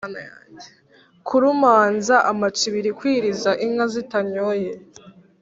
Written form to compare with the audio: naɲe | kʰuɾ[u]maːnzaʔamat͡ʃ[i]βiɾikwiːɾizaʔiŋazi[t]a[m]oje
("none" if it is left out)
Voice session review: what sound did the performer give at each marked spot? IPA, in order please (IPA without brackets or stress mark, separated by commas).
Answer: u, i, t, ɲ